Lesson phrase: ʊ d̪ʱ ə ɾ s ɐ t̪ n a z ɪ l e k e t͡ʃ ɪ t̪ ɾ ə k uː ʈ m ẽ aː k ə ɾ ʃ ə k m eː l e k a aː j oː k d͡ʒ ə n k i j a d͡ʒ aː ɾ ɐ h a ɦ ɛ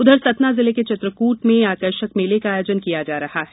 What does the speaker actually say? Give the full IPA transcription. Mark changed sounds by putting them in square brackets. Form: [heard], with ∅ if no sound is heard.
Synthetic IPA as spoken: ʊ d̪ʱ ə ɾ s ɐ t̪ n a z ɪ l e k e t͡ʃ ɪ t̪ ɾ ə k uː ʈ m ẽ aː k ə ɾ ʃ ə k m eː l e k a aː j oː [∅] d͡ʒ ə n k i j a d͡ʒ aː ɾ ɐ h a ɦ ɛ